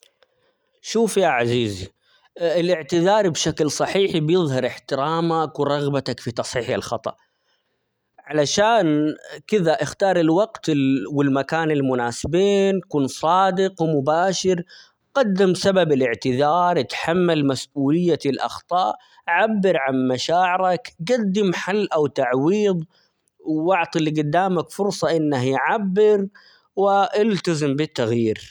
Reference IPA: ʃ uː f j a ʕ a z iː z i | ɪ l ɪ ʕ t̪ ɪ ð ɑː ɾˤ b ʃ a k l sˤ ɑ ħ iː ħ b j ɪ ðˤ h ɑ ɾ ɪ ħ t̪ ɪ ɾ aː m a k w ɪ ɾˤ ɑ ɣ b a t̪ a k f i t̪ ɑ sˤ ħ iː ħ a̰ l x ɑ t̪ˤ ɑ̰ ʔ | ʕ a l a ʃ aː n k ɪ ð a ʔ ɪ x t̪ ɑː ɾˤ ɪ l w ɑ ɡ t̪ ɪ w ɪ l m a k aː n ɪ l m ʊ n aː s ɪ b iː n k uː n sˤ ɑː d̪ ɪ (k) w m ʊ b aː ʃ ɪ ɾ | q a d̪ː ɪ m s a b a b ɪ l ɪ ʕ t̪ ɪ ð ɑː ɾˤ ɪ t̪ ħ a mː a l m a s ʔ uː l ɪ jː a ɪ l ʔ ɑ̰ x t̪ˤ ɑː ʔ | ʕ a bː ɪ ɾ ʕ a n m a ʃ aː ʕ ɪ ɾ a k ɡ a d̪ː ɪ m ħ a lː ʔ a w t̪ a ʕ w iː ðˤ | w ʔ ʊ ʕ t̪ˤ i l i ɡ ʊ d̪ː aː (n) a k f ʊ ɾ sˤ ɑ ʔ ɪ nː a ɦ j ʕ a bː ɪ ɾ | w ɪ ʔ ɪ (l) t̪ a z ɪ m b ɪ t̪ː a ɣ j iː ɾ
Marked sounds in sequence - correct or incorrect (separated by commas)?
incorrect, incorrect, correct